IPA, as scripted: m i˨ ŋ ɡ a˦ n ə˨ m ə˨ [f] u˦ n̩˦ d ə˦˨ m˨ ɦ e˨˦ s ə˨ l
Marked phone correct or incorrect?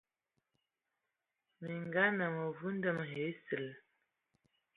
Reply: incorrect